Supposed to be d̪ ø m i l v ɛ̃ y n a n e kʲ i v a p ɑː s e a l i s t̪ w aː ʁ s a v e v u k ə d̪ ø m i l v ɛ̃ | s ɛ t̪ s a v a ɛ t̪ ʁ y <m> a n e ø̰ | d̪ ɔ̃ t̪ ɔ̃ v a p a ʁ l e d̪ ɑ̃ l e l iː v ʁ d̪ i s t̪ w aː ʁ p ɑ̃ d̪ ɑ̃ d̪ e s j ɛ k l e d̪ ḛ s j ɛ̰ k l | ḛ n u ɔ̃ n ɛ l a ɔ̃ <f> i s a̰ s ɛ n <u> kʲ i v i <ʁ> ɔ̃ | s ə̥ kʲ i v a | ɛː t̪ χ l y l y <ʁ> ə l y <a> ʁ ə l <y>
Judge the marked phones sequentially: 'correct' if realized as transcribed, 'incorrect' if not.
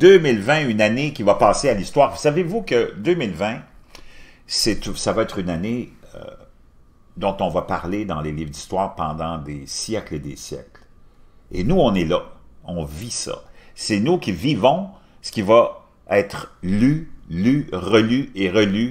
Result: incorrect, incorrect, correct, incorrect, correct, incorrect, correct

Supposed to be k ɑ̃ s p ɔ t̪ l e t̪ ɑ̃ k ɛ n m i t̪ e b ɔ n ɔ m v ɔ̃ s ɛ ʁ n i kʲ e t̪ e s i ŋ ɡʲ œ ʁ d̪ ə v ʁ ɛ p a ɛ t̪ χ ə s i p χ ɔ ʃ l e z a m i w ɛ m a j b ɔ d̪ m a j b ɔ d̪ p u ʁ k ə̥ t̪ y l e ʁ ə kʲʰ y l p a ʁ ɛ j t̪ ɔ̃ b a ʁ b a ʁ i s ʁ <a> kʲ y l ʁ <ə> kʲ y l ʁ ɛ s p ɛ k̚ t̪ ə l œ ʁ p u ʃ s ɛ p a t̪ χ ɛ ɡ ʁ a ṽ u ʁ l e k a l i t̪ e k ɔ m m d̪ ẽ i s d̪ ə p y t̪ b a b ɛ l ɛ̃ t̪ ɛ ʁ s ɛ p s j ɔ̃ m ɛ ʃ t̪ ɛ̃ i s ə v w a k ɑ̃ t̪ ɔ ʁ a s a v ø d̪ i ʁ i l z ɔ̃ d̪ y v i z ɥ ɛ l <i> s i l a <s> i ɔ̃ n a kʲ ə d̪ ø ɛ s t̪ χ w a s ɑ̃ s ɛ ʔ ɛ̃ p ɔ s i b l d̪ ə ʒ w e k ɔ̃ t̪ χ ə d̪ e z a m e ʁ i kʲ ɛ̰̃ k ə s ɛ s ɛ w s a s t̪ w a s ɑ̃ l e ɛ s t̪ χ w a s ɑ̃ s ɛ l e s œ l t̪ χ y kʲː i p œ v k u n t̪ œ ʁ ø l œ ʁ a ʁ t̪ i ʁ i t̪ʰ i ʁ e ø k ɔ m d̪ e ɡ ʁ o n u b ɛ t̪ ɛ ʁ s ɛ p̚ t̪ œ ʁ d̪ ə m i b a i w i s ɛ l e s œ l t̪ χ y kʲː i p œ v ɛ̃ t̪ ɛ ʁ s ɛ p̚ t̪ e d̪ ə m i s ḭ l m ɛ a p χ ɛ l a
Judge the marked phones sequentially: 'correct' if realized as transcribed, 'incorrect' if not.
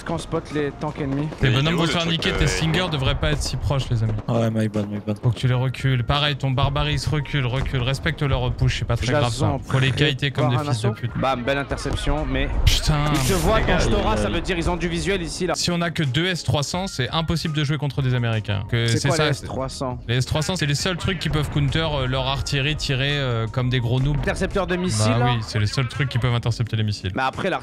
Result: incorrect, correct, correct, correct

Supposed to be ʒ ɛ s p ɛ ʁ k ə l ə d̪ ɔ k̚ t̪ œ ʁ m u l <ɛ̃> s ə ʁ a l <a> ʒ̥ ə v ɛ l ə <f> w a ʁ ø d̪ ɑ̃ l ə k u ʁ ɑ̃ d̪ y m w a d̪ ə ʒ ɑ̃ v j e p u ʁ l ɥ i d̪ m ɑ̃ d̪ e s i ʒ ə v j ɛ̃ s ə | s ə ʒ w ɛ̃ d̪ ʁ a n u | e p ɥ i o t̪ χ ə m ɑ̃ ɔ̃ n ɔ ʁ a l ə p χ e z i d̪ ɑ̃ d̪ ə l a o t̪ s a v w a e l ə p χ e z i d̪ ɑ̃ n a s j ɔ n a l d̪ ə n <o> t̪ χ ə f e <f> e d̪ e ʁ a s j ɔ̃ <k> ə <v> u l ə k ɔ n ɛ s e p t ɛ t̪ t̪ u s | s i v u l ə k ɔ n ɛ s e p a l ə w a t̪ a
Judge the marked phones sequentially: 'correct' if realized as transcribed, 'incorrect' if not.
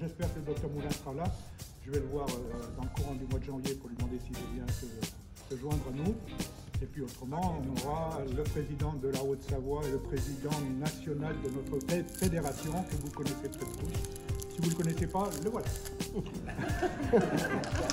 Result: correct, correct, incorrect, incorrect, correct, correct, correct

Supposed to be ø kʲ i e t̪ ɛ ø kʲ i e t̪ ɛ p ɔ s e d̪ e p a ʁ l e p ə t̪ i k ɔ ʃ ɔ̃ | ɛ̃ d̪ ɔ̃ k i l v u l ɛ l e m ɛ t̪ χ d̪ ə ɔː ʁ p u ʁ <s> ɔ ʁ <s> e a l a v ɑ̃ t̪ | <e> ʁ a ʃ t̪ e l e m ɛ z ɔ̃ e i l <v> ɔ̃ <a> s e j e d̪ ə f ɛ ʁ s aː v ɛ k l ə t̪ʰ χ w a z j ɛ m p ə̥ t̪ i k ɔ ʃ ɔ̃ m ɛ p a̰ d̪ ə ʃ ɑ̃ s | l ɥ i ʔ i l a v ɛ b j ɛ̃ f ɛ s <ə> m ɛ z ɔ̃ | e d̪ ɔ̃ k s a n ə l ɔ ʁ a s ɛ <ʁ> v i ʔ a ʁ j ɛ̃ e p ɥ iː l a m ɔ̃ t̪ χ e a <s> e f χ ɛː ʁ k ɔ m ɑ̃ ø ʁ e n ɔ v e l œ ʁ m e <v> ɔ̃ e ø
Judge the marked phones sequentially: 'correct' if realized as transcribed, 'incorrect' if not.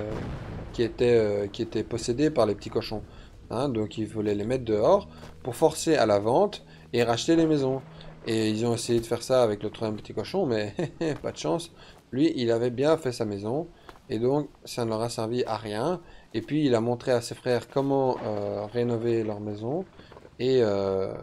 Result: incorrect, correct, correct, incorrect, incorrect, incorrect, correct, correct, incorrect

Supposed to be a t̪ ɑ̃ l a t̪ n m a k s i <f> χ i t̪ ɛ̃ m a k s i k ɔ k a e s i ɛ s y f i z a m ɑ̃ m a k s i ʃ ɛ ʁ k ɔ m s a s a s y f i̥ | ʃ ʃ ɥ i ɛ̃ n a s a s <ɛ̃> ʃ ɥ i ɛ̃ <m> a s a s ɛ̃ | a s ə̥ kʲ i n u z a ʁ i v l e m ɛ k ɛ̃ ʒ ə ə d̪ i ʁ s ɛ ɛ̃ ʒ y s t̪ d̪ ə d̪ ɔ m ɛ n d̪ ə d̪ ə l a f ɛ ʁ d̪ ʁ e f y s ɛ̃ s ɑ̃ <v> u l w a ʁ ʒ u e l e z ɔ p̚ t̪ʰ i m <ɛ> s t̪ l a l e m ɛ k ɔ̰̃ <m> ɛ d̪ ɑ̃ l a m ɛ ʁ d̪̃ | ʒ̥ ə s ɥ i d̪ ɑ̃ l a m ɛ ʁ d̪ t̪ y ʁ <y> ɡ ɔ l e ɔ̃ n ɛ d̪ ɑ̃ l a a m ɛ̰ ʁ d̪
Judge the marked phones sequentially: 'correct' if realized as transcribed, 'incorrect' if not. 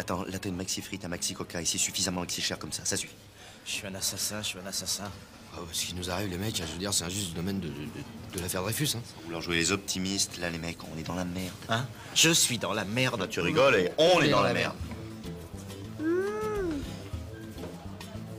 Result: correct, correct, incorrect, correct, incorrect, incorrect, incorrect

